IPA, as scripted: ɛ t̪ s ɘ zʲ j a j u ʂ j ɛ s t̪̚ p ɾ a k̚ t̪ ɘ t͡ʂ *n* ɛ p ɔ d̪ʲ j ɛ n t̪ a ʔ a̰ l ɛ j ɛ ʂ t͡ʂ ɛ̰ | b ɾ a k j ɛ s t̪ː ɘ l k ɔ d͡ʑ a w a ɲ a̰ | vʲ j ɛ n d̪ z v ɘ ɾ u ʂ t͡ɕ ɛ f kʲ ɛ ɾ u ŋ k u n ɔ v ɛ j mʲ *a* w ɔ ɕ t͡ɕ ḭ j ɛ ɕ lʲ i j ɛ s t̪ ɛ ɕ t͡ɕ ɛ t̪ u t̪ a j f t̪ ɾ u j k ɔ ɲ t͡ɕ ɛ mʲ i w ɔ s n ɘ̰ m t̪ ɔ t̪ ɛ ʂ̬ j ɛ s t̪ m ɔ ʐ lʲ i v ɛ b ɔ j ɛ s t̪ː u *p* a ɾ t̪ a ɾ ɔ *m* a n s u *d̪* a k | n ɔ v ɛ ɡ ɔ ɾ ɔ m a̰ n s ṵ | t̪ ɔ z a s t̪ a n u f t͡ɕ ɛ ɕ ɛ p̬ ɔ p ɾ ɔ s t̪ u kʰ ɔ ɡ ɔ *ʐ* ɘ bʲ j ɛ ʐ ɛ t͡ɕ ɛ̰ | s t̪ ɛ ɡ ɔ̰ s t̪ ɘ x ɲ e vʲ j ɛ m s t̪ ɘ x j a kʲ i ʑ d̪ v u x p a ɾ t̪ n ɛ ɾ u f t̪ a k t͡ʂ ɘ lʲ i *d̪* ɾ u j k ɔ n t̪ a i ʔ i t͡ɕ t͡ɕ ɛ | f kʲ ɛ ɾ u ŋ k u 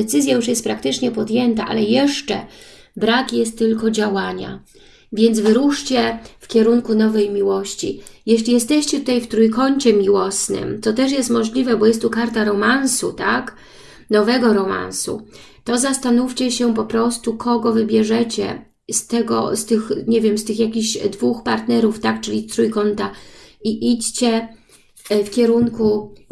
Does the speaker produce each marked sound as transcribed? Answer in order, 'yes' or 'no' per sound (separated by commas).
no, no, no, yes, no, no, no